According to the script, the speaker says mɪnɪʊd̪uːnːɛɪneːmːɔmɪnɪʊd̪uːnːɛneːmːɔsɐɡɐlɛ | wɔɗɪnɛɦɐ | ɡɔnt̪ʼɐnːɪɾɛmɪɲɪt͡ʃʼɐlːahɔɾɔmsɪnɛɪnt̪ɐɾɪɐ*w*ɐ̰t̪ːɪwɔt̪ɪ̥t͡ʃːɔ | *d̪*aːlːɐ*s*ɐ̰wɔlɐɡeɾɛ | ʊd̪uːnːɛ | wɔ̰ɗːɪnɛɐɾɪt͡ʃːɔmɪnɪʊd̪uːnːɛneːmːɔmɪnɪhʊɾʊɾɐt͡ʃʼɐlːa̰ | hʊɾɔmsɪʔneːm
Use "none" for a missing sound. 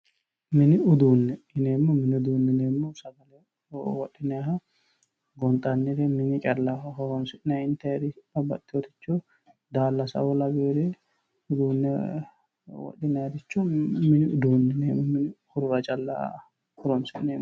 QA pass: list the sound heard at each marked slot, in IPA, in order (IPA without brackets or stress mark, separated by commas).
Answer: b, d̪, s